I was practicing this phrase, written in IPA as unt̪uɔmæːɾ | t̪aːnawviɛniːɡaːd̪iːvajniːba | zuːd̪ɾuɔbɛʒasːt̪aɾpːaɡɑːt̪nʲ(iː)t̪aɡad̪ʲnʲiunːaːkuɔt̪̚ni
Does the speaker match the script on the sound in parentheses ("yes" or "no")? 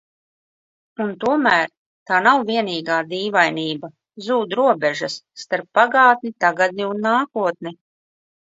no